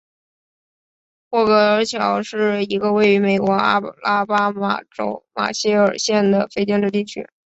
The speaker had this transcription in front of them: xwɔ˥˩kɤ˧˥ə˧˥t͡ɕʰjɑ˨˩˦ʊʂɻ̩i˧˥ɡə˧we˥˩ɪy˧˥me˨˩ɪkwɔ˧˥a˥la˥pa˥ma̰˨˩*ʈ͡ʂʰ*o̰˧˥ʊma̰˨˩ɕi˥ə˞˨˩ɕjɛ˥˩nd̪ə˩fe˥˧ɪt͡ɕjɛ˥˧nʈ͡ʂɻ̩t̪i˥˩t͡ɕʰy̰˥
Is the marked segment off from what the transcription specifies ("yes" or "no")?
yes